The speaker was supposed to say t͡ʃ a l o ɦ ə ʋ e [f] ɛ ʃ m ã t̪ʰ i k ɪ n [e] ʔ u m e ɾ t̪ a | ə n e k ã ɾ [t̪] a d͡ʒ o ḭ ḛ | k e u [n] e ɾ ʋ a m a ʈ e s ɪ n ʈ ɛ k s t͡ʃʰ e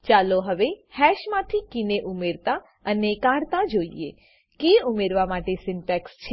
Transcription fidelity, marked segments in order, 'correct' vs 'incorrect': incorrect, correct, correct, incorrect

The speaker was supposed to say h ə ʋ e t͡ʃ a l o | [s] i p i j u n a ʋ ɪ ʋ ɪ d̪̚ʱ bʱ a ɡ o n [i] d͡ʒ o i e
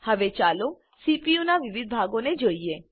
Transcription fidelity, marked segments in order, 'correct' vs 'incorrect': correct, incorrect

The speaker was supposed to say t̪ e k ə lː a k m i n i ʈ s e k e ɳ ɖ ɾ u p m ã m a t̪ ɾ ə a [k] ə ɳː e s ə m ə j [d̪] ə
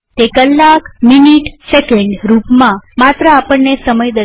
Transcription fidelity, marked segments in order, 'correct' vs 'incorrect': incorrect, correct

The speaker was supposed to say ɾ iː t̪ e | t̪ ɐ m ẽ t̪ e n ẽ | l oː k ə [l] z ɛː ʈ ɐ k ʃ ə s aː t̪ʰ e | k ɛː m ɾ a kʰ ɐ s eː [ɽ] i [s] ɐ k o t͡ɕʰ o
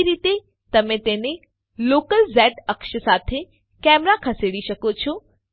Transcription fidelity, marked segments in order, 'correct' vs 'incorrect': correct, correct, incorrect

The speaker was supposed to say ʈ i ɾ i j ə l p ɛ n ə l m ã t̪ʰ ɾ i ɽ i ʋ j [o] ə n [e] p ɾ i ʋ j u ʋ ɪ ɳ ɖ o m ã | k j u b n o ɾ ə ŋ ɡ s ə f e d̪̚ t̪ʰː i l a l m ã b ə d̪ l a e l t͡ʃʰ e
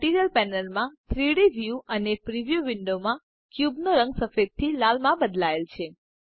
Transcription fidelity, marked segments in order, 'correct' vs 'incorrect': incorrect, correct

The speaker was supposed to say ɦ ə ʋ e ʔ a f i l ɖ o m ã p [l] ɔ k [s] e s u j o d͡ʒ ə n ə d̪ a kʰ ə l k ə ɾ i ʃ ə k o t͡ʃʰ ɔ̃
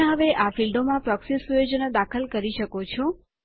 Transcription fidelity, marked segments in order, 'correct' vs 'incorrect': incorrect, correct

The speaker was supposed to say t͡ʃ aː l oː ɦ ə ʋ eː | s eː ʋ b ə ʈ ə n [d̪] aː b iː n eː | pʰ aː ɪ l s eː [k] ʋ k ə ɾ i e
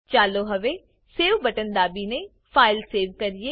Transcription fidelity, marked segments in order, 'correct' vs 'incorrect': correct, incorrect

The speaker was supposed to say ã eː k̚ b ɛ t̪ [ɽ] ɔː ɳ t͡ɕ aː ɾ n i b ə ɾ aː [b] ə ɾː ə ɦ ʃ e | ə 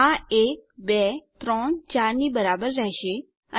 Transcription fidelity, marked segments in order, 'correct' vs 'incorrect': incorrect, correct

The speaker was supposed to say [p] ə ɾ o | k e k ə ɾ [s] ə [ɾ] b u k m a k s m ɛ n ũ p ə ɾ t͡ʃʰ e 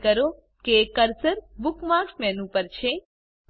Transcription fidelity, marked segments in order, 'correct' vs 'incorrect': incorrect, correct, correct

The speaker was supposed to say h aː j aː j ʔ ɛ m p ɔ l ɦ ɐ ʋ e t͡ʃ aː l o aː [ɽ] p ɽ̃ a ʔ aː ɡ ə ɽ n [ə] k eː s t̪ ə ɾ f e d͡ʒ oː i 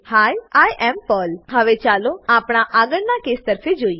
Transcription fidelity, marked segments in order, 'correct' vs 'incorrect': incorrect, incorrect

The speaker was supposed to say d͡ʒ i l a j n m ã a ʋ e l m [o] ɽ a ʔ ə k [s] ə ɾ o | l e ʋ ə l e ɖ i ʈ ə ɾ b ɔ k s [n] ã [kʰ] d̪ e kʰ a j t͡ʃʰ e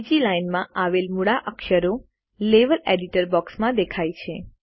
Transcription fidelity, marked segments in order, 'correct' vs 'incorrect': incorrect, incorrect, incorrect, incorrect

